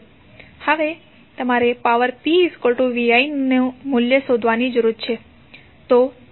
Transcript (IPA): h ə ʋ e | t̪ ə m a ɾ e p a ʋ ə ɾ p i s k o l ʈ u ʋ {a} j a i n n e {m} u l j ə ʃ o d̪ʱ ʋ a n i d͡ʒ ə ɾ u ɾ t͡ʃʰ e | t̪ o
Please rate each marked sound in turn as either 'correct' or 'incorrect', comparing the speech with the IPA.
incorrect: i, correct

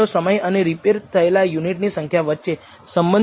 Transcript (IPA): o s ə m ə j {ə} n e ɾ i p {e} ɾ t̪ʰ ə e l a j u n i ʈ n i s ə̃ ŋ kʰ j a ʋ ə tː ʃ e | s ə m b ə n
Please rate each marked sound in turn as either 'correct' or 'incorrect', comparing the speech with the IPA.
correct, correct

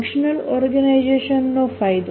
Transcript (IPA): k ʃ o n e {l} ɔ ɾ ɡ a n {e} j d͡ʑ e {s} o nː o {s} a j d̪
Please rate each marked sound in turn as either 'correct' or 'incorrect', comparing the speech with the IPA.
correct, incorrect: a, incorrect: ʃ, incorrect: f

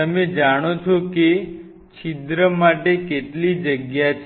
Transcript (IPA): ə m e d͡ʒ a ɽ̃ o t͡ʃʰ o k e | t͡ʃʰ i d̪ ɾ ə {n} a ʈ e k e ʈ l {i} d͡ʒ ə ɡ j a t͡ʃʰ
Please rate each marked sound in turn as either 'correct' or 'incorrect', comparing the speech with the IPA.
incorrect: m, correct

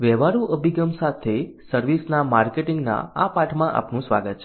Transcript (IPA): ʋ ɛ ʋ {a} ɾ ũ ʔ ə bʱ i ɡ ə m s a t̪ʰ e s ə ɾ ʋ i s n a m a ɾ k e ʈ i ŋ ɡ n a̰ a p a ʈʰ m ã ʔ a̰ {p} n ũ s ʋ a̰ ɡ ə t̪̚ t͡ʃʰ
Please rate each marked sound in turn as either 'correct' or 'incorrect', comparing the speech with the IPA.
correct, correct

